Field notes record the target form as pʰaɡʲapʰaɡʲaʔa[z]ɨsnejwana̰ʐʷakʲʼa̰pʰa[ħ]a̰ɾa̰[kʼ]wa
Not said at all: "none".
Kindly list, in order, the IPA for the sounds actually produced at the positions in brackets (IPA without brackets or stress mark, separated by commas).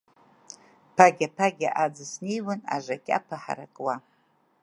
d͡z, ħ, kʼ